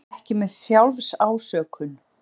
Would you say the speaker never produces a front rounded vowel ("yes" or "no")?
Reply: no